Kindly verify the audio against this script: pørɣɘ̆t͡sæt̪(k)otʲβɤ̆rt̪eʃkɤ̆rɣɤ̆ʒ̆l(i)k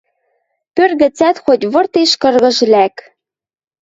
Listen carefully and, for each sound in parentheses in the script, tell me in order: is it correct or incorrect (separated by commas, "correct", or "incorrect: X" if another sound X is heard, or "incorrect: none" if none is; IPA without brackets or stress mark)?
incorrect: x, incorrect: æ